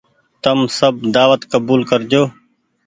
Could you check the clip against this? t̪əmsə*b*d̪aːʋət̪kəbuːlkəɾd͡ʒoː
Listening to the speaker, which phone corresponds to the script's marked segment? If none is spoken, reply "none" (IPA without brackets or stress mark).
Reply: b